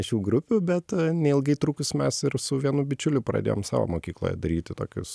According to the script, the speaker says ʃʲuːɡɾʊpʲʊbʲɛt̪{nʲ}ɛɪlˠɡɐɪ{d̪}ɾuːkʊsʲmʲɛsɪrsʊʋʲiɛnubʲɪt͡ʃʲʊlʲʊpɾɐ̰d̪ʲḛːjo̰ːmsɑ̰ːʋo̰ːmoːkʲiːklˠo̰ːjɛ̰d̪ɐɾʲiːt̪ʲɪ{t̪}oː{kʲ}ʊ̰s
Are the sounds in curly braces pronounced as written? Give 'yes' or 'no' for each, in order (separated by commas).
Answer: yes, no, yes, yes